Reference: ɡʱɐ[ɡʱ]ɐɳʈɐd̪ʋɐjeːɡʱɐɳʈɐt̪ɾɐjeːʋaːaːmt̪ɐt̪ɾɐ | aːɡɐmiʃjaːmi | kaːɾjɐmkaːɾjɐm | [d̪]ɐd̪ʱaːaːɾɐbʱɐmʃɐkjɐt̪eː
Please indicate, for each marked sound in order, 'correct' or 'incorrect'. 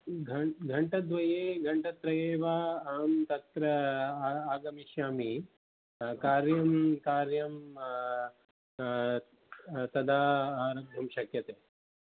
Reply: correct, incorrect

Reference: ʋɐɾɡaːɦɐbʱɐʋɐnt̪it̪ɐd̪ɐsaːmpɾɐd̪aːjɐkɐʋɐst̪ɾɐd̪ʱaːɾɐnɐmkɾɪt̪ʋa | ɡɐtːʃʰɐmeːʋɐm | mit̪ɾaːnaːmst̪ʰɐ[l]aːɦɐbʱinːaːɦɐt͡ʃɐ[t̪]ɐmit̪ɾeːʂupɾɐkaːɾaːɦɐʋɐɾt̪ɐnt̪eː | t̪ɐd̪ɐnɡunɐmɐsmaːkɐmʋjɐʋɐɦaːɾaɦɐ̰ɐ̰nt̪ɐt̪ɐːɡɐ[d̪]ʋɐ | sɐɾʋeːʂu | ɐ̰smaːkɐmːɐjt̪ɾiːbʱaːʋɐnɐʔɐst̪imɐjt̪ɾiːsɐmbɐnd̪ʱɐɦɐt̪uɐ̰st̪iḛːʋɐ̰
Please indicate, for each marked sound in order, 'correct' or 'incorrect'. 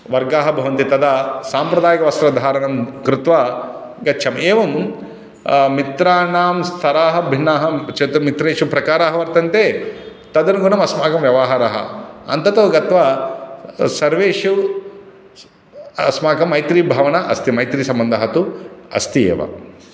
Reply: incorrect, correct, incorrect

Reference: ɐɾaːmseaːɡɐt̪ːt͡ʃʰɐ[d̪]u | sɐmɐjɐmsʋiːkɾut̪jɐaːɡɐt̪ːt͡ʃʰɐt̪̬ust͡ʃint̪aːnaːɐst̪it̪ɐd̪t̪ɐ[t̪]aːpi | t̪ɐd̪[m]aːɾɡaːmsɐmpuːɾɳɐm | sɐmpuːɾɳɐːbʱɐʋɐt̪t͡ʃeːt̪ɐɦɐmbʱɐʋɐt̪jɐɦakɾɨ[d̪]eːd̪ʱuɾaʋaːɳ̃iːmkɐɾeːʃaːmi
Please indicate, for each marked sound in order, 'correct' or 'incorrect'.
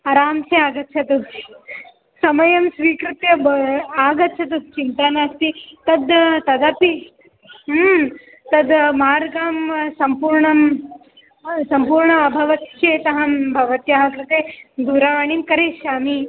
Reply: incorrect, incorrect, correct, incorrect

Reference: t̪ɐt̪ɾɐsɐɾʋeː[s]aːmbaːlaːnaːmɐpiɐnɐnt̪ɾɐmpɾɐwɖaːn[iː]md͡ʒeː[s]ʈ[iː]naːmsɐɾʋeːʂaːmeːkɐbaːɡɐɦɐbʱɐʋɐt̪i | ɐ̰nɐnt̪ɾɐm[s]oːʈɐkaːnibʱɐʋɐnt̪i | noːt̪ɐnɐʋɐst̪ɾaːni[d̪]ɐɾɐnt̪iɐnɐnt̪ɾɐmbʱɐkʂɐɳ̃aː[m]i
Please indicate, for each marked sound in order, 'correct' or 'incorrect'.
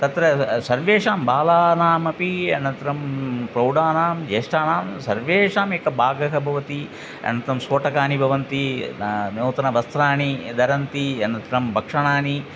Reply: incorrect, incorrect, incorrect, incorrect, correct, correct, incorrect

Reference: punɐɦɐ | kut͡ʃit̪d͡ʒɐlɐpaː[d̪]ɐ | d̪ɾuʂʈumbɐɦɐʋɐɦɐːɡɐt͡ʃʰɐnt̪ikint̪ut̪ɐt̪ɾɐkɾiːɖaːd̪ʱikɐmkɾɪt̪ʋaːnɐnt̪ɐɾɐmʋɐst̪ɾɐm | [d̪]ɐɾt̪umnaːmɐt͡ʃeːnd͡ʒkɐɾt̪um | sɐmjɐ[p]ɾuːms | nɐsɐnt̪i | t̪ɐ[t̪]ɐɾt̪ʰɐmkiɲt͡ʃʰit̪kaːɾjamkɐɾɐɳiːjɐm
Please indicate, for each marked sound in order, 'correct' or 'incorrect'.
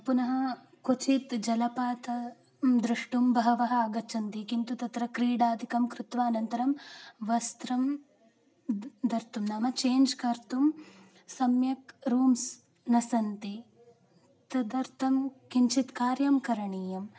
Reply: incorrect, correct, incorrect, incorrect

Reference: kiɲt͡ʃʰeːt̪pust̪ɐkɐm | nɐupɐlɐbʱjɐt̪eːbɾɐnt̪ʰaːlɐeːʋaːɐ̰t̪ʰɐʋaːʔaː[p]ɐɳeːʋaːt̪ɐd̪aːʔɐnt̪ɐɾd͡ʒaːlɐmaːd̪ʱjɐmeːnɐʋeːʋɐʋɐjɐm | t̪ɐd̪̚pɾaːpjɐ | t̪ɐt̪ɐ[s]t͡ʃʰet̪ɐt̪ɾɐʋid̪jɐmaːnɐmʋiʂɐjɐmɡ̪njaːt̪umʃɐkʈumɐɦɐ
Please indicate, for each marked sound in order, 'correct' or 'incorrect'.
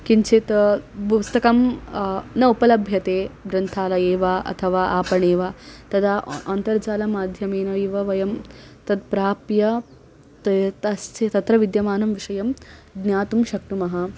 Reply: correct, correct

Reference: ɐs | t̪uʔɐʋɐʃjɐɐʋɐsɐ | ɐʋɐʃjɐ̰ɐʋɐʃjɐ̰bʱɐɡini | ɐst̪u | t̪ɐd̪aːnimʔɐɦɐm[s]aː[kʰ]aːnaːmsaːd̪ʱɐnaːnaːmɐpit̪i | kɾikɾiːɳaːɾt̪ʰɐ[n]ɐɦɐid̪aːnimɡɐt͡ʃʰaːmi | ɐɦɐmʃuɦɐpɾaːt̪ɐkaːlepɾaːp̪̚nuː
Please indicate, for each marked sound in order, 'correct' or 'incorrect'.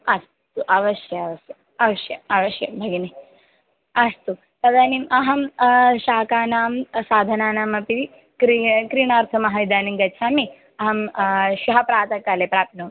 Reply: incorrect, incorrect, incorrect

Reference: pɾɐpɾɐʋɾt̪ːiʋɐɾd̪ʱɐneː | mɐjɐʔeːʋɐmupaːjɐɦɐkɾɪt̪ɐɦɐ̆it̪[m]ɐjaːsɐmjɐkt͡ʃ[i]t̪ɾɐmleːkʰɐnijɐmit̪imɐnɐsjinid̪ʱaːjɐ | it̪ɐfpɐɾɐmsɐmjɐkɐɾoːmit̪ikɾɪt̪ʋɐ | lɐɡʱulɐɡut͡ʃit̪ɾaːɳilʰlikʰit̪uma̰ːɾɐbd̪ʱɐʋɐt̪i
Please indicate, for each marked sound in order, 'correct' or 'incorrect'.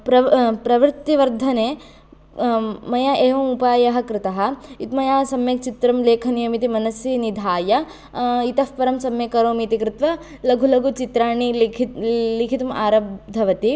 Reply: correct, correct

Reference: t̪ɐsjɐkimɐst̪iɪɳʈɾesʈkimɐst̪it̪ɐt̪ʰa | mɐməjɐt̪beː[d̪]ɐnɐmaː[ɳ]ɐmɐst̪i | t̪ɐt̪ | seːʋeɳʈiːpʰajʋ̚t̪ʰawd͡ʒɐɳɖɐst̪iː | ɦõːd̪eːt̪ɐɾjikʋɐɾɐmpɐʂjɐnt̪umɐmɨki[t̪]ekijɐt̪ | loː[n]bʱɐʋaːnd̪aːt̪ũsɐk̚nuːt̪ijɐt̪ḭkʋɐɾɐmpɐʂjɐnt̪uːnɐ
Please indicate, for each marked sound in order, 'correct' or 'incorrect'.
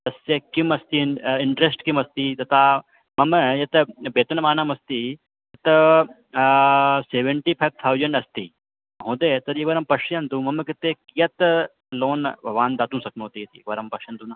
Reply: incorrect, incorrect, correct, correct

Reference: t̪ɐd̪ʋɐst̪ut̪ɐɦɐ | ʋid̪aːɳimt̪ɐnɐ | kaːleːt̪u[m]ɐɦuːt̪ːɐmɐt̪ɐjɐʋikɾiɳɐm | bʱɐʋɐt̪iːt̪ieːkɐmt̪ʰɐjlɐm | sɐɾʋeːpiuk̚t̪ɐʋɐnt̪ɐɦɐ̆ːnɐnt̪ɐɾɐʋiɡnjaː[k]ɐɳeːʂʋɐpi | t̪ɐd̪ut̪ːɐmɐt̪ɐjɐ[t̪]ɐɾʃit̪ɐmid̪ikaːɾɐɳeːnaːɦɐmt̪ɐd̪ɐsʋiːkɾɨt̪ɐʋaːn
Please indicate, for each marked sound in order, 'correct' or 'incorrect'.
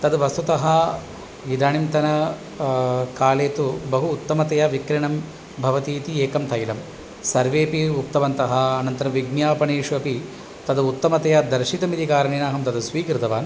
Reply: incorrect, incorrect, incorrect

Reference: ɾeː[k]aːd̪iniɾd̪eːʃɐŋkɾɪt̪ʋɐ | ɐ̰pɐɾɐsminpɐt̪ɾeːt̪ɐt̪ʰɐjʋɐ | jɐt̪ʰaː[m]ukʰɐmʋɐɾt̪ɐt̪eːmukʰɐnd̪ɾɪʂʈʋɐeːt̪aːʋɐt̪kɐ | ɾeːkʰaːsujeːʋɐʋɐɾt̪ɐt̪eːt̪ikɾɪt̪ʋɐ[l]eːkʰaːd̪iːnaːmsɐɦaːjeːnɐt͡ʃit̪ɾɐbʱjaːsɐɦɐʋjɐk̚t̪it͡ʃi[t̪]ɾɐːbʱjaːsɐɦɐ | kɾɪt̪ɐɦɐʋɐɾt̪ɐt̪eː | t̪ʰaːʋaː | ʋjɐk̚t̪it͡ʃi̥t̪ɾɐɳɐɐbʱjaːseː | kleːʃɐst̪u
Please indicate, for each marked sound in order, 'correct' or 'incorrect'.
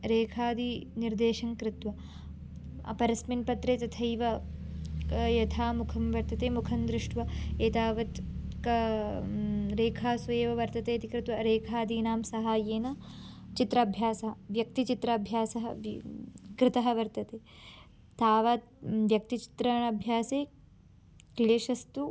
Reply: incorrect, correct, incorrect, correct

